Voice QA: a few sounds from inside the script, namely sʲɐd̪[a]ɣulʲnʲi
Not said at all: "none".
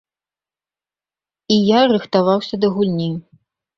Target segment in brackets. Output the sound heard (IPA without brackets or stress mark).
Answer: ɐ